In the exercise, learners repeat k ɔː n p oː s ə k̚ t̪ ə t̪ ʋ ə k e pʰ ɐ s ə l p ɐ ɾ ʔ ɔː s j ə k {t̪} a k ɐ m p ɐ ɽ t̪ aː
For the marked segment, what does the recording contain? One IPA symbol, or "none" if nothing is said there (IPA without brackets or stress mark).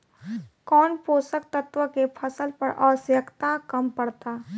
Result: t̪